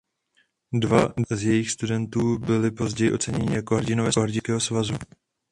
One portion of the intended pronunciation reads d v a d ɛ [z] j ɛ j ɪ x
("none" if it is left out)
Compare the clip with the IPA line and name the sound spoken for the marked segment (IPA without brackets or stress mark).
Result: z